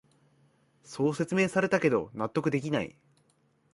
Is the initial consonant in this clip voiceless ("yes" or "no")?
yes